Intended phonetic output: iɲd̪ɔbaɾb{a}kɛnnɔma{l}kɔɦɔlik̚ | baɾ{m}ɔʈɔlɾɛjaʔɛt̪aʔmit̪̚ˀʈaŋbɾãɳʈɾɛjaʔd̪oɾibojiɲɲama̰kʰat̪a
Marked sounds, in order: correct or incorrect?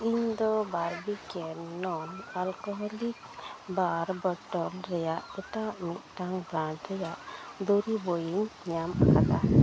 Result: incorrect, correct, incorrect

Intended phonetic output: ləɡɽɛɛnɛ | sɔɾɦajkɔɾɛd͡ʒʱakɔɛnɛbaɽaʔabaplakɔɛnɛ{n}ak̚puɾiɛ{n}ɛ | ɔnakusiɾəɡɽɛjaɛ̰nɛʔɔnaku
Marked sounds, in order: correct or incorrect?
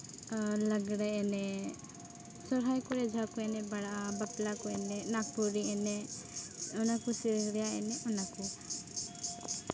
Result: correct, correct

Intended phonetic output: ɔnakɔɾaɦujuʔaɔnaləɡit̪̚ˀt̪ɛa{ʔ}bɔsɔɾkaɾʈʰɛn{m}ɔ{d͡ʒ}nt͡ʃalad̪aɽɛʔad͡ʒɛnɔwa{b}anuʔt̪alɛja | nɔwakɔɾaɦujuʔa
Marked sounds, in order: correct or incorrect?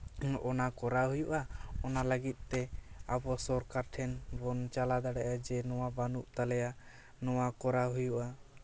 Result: incorrect, incorrect, incorrect, correct

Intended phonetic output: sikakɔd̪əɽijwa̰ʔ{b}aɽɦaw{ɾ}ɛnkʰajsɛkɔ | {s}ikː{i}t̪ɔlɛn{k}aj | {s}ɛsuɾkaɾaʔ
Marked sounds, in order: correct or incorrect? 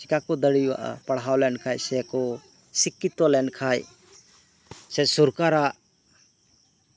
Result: incorrect, incorrect, correct, correct, incorrect, correct

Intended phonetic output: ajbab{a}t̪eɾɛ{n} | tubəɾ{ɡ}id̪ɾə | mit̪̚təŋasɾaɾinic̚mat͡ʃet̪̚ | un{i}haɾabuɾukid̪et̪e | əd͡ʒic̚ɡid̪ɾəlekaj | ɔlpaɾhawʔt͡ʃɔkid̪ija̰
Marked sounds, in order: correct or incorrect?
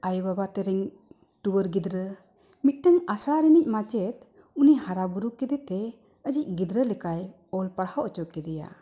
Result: correct, incorrect, correct, correct

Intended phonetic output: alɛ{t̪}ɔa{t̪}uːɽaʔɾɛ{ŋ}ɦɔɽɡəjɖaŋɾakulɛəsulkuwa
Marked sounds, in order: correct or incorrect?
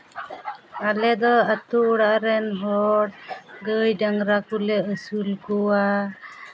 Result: incorrect, correct, incorrect

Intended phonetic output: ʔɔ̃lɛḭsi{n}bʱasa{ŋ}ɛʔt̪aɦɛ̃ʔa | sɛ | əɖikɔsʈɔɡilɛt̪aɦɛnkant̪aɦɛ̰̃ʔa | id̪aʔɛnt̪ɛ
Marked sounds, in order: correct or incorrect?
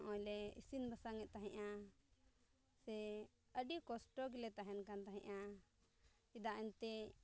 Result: correct, correct

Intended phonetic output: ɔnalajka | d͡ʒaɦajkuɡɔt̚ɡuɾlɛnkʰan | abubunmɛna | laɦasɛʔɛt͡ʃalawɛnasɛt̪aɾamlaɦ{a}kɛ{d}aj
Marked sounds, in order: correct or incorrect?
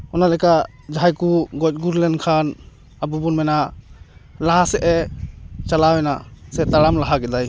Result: correct, correct

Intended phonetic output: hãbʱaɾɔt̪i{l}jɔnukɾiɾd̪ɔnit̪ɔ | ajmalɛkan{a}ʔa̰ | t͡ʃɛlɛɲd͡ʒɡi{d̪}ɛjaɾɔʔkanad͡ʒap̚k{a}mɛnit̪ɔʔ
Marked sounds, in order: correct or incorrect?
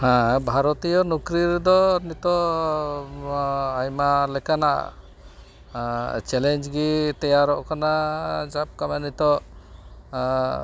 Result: incorrect, correct, incorrect, correct

